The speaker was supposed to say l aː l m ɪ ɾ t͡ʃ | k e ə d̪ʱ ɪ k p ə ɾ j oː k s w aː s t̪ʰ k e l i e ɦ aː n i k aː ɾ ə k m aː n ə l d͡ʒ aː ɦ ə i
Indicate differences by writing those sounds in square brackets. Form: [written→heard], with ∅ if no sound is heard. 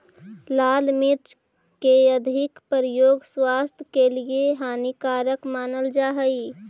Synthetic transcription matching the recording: l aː l m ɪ ɾ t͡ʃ | k e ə d̪ʱ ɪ k p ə ɾ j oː [k→ɡ] s w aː s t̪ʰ k e l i e ɦ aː n i k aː ɾ ə k m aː n ə l d͡ʒ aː ɦ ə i